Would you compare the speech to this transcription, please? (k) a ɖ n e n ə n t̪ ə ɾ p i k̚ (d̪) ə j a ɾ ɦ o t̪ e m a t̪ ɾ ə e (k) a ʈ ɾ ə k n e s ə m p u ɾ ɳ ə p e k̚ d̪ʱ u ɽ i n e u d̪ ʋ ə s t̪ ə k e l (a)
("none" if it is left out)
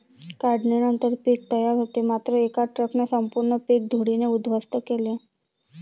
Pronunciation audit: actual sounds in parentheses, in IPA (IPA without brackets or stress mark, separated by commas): k, t̪, k, e